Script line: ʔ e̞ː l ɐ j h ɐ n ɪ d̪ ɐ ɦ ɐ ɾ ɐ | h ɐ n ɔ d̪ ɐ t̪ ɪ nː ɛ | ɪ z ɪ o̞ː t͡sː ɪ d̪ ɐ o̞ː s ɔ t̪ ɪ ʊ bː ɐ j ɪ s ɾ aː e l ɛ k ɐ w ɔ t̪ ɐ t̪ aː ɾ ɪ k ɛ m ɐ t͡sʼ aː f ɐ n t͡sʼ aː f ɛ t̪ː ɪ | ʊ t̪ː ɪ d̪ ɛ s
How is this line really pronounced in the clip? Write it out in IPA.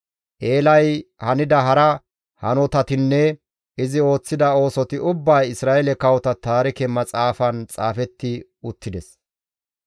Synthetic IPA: ʔ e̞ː l ɐ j h ɐ n ɪ d̪ ɐ ɦ ɐ ɾ ɐ | h ɐ n ɔ t̪ ɐ t̪ ɪ nː ɛ | ɪ z ɪ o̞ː t͡sː ɪ d̪ ɐ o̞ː s ɔ t̪ ɪ ʊ bː ɐ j ɪ s ɾ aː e l ɛ k ɐ w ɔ t̪ ɐ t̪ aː ɾ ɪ k ɛ m ɐ t͡sʼ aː f ɐ n t͡sʼ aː f ɛ t̪ː ɪ | ʊ t̪ː ɪ d̪ ɛ s